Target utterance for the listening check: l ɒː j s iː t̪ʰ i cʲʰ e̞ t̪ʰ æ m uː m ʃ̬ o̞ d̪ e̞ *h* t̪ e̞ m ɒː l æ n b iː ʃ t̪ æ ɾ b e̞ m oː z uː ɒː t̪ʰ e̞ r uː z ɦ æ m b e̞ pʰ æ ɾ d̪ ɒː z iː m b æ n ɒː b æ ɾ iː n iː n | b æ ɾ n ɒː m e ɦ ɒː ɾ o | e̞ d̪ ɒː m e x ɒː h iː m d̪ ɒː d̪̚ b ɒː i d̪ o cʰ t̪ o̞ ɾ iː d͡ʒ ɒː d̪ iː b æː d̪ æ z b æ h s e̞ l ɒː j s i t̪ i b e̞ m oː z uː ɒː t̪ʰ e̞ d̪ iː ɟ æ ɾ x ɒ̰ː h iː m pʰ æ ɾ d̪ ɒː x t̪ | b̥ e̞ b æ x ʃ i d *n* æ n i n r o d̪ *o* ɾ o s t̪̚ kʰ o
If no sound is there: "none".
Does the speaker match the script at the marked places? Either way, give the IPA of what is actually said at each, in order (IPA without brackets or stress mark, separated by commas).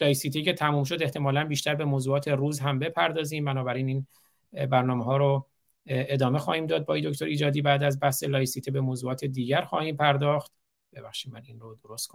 h, m, o